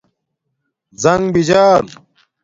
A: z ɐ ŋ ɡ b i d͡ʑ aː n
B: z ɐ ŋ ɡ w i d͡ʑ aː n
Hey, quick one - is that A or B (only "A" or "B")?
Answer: A